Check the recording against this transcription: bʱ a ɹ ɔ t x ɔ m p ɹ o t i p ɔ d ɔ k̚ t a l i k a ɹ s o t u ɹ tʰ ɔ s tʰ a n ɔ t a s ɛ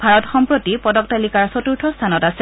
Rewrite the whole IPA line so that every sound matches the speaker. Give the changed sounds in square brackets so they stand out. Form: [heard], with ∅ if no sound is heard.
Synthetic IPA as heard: bʱ a ɹ ɔ t x ɔ m p ɹ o t i p ɔ d ɔ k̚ t a l i k a ɹ s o t u ɹ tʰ ɔ s tʰ a n ɔ t a s ɛ